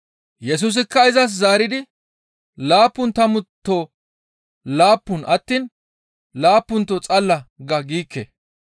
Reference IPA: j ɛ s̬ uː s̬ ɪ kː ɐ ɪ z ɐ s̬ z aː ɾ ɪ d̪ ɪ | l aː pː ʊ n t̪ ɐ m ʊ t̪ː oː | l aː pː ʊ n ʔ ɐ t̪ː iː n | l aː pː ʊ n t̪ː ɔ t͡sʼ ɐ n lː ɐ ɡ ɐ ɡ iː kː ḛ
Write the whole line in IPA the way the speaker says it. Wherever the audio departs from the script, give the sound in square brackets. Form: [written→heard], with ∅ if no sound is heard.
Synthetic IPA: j ɛ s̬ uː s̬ ɪ kː ɐ ɪ z ɐ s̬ z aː ɾ ɪ d̪ ɪ | l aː pː ʊ n t̪ ɐ m ʊ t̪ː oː | l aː pː ʊ n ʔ ɐ t̪ː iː n | l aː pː ʊ n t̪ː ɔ t͡sʼ ɐ [n→∅] lː ɐ ɡ ɐ ɡ iː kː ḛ